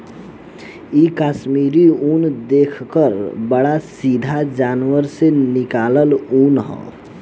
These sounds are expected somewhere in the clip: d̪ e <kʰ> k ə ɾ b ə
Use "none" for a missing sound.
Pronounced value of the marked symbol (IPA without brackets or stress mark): kʰ